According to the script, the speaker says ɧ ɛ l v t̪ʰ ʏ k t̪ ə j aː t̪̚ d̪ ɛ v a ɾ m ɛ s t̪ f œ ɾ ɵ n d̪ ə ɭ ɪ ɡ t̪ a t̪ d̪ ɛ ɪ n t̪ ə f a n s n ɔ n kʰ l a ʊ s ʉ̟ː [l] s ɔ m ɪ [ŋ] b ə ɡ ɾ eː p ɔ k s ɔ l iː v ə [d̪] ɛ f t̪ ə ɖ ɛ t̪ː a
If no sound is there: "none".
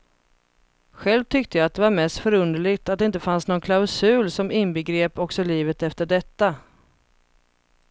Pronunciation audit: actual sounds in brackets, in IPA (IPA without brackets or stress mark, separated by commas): l, n, t̪